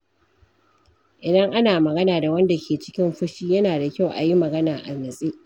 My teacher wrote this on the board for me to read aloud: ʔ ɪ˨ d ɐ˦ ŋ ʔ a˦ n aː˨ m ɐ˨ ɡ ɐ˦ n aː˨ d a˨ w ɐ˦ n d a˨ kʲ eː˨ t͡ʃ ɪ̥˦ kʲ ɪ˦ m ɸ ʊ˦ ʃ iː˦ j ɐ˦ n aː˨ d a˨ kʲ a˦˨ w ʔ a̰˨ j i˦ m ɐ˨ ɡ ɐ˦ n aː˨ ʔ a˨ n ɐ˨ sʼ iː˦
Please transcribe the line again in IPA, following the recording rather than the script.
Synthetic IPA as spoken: ʔ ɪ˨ d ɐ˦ ŋ ʔ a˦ n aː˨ m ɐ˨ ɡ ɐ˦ n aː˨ d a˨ w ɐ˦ n d a˨ kʲ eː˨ t͡ʃ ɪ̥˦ kʲ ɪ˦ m ɸ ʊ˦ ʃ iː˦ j ɐ˦ n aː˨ d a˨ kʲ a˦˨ w ʔ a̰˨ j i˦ m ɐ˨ ɡ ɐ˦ n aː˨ ʔ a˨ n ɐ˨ sʼ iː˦